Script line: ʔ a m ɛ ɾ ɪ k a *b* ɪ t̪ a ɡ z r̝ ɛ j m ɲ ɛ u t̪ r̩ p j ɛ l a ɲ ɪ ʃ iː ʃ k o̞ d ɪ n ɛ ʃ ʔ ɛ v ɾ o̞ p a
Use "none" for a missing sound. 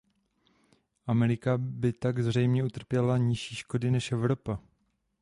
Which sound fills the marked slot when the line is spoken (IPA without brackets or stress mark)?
b